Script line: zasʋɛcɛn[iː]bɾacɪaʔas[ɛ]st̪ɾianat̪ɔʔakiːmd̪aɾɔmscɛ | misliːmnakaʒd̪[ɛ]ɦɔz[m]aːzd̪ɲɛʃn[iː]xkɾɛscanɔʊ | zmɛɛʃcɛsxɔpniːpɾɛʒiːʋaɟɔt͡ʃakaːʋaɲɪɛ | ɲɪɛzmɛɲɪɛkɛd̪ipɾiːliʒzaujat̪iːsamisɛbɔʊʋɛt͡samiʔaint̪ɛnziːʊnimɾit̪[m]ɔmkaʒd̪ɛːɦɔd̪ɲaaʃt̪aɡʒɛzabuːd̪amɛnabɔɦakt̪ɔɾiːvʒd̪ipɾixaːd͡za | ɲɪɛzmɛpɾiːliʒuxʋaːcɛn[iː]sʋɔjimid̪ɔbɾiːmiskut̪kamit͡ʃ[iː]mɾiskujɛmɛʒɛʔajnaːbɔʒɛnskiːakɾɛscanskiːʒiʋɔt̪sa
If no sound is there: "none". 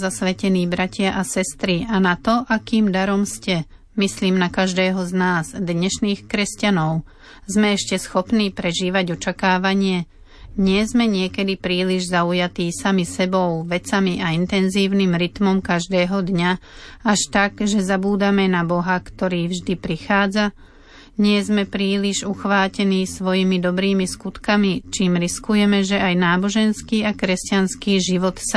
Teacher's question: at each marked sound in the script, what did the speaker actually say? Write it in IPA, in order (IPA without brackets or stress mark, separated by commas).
iː, ɛ, ɛː, n, iː, m, iː, iː